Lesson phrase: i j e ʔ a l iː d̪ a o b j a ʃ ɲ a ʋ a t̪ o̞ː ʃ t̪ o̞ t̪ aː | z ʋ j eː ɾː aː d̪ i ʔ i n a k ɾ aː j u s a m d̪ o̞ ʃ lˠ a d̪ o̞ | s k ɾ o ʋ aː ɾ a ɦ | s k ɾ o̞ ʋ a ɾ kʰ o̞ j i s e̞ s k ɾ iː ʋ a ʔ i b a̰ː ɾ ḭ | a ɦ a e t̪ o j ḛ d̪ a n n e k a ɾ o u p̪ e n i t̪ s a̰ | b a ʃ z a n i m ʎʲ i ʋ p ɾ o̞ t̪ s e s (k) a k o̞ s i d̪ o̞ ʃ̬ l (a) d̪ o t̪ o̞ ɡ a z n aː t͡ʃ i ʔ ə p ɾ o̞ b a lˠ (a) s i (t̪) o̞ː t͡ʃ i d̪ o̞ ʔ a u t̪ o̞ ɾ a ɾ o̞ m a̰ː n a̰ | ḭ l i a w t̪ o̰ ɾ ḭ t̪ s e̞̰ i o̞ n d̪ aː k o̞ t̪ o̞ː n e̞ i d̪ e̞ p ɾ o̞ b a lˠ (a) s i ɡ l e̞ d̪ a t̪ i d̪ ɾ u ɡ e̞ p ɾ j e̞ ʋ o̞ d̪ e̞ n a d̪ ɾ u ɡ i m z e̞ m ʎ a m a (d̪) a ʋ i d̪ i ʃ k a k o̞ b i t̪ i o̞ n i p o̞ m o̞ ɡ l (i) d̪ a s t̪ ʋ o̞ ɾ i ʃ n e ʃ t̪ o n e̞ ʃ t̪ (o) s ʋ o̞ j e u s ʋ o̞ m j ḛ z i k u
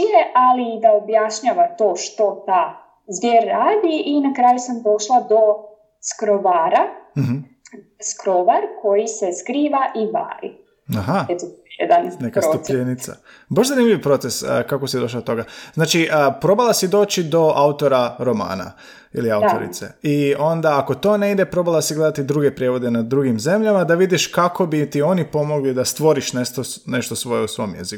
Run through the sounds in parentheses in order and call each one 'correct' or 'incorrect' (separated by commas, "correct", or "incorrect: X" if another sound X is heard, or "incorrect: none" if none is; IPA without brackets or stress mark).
correct, correct, correct, incorrect: d̪, correct, correct, correct, correct